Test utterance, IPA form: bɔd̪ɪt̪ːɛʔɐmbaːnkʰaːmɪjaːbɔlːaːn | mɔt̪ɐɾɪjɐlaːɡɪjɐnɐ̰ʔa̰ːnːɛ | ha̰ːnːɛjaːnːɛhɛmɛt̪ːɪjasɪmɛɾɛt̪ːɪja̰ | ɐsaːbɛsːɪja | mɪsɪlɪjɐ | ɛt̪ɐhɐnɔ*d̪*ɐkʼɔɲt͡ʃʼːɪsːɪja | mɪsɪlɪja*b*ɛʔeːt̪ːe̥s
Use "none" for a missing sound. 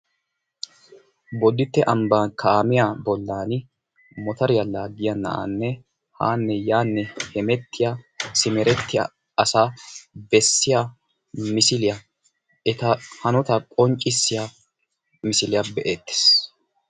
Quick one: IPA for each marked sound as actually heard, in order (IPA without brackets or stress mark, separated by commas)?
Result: t̪, b